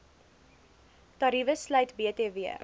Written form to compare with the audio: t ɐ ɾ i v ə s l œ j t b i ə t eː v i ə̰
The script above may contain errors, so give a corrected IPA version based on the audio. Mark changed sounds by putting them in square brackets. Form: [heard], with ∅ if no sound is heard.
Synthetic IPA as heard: t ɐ ɾ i v ə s l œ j t b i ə t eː v i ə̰